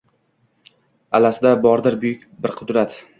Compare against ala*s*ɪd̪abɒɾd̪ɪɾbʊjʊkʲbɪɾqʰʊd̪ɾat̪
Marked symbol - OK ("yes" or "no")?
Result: yes